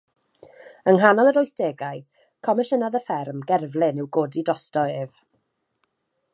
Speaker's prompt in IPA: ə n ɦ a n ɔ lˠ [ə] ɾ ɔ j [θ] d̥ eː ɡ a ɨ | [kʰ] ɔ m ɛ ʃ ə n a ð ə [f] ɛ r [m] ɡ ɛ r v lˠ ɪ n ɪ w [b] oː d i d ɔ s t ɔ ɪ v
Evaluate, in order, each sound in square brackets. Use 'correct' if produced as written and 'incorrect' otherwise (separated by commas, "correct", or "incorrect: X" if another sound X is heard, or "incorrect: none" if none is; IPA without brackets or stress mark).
correct, correct, correct, correct, correct, incorrect: ɡ